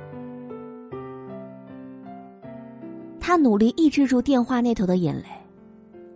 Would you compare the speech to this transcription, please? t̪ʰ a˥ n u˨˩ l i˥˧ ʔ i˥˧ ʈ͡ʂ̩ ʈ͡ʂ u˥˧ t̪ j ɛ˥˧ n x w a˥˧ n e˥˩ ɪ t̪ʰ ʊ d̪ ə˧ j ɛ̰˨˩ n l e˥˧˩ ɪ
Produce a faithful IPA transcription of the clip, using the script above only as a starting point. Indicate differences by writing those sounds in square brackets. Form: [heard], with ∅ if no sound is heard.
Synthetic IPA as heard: t̪ʰ a˥ n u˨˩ l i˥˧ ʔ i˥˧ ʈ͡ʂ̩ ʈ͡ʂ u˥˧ t̪ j ɛ˥˧ n x w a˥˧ n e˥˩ ɪ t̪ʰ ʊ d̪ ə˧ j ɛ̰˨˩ n l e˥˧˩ ɪ